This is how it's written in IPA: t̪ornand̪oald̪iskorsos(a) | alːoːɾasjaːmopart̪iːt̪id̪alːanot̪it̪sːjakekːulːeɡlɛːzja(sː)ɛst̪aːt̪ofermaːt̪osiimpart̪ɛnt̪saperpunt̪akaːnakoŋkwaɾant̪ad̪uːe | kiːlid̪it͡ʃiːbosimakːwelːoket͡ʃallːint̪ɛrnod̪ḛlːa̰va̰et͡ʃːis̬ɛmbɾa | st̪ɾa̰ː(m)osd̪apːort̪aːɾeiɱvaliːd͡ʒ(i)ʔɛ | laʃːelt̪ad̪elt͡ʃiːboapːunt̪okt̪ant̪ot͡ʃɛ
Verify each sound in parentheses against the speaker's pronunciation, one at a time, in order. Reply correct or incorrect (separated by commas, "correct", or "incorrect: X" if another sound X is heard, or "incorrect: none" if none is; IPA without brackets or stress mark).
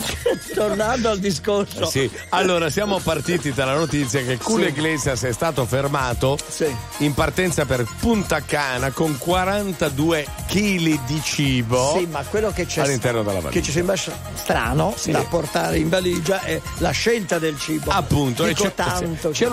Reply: incorrect: i, incorrect: s, incorrect: n, incorrect: a